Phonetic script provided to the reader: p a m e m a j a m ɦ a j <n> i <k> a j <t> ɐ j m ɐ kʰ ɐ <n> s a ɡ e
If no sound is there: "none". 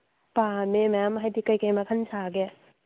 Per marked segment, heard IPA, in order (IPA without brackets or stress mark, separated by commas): d, k, k, n